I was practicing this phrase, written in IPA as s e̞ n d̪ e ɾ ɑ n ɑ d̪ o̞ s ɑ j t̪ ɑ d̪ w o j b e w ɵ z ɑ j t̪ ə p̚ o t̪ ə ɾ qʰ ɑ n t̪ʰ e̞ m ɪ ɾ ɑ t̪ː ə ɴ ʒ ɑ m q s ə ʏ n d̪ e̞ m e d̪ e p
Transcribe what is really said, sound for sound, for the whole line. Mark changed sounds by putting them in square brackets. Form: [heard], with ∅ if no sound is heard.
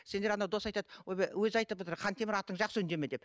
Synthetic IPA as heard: s e̞ n d̪ e ɾ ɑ n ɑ d̪ o̞ s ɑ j t̪ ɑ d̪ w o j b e w ɵ z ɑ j t̪ ə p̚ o t̪ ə ɾ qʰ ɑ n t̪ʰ e̞ m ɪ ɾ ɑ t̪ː ə ɴ ʒ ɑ [∅] q s ə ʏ n d̪ e̞ m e d̪ e p